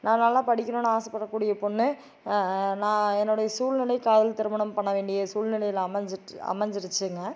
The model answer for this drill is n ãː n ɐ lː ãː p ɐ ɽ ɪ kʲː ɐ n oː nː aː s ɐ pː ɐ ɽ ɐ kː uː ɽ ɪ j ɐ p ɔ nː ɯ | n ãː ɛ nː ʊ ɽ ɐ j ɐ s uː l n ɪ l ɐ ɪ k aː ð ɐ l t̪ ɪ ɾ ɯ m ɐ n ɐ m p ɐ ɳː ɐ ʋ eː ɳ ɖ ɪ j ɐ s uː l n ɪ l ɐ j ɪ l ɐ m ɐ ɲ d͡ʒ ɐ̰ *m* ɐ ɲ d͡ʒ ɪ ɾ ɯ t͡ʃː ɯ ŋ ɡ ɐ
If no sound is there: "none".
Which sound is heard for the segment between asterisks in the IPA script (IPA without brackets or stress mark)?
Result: m